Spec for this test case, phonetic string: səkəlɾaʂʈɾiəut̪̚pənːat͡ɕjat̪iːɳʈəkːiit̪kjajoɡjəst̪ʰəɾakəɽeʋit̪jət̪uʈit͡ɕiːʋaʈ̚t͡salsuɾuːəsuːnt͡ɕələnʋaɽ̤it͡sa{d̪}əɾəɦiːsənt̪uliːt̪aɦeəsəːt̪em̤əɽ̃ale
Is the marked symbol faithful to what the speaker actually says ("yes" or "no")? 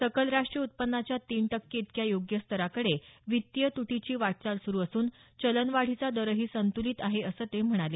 yes